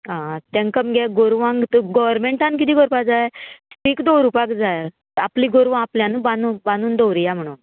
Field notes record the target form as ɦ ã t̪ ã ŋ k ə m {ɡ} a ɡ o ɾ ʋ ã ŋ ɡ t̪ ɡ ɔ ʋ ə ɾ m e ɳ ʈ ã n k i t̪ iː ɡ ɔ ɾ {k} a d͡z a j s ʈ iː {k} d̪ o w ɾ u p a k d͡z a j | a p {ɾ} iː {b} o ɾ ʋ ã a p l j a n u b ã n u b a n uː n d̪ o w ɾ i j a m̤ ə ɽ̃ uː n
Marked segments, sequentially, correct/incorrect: correct, incorrect, correct, incorrect, incorrect

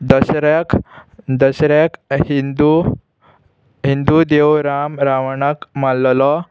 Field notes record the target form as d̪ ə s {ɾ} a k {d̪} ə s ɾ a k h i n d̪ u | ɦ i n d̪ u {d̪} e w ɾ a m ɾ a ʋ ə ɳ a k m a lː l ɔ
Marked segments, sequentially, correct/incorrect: correct, correct, correct

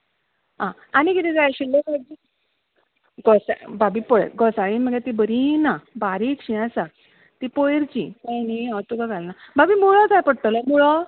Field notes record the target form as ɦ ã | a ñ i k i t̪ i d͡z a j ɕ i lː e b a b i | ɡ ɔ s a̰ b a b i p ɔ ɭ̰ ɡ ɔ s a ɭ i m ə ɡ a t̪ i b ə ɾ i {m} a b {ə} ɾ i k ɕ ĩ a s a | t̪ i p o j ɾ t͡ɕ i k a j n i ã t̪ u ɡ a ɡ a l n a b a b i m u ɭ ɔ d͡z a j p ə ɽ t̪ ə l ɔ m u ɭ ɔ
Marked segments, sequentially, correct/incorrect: incorrect, incorrect

